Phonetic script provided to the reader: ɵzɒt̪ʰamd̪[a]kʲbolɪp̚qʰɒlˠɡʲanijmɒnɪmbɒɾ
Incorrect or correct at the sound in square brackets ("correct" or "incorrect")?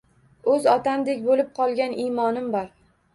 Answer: incorrect